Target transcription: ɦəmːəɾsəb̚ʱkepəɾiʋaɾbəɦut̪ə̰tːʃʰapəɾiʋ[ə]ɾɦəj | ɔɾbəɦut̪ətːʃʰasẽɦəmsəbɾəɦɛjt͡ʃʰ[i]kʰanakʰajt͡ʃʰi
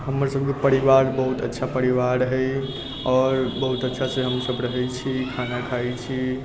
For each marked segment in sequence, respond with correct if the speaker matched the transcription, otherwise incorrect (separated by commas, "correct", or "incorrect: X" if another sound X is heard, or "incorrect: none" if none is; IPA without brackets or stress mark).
incorrect: a, correct